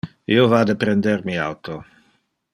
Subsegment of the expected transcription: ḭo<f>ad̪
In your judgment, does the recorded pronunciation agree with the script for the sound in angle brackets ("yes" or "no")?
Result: no